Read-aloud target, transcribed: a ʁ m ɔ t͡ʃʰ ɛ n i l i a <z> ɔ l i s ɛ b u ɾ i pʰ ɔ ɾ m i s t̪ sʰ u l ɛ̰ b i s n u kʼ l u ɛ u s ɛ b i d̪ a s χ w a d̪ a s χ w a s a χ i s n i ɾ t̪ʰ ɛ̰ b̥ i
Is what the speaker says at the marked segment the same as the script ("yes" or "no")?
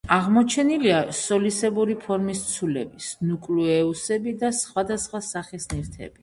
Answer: no